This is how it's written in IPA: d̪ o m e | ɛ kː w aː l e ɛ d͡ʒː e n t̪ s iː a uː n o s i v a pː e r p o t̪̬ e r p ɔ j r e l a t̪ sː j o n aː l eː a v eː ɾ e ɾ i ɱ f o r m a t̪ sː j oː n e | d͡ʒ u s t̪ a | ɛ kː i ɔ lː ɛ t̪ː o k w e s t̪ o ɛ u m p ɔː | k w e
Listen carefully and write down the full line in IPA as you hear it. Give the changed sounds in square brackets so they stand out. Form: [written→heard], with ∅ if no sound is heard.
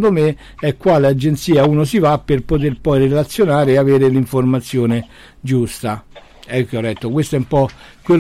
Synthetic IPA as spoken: d̪ o m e | ɛ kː w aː l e [ɛ→a] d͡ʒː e n t̪ s iː a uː n o s i v a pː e r p o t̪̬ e r p ɔ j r e l a t̪ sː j o n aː [l→ɾ] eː a v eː ɾ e [ɾ→l] i ɱ f o r m a t̪ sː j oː n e | d͡ʒ u s t̪ a | ɛ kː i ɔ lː ɛ t̪ː o k w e s t̪ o ɛ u m p [ɔː→ɔ] | k w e